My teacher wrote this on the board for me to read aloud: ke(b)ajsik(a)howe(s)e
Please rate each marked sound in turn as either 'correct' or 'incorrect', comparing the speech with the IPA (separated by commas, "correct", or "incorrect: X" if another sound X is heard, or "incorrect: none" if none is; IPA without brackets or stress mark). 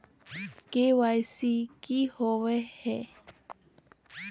incorrect: w, incorrect: i, incorrect: h